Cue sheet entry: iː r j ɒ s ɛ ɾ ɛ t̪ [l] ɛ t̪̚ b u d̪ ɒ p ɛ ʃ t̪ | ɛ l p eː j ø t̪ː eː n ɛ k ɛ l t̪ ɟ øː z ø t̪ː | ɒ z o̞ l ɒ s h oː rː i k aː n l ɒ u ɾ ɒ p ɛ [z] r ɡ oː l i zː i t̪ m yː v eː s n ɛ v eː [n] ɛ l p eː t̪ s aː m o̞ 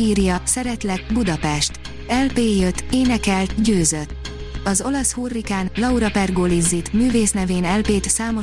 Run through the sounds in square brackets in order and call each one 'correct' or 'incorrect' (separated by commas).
correct, incorrect, correct